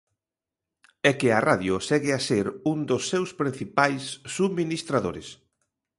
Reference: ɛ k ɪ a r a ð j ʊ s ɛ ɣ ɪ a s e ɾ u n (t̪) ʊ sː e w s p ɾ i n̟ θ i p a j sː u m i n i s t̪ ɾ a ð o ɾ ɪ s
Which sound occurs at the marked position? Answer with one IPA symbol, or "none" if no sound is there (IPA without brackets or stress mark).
d̪